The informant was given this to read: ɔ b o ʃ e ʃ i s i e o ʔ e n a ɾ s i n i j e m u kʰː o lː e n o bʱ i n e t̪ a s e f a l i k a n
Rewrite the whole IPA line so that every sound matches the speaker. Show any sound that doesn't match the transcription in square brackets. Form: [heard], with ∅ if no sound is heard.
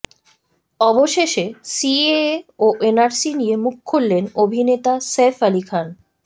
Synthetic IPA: ɔ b o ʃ e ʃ [e] s i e o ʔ e n a ɾ s i n i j e m u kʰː o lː e n o bʱ i n e t̪ a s e f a l i [kʰ] a n